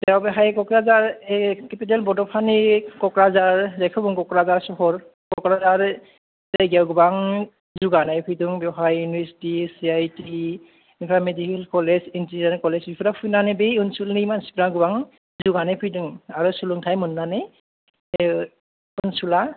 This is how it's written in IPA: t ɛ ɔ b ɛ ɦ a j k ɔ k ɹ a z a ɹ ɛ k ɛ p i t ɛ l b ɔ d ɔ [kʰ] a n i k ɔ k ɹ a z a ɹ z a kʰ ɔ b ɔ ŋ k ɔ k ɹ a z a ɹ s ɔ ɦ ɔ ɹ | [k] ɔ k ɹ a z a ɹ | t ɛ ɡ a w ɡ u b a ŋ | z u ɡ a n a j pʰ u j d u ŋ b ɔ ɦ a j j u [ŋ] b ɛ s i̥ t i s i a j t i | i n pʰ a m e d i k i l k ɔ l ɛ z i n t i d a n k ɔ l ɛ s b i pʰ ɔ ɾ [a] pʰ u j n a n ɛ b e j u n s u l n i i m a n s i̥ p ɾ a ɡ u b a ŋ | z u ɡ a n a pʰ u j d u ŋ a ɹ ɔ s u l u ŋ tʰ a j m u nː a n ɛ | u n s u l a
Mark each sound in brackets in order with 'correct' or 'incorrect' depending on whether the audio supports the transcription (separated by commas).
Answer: incorrect, correct, incorrect, correct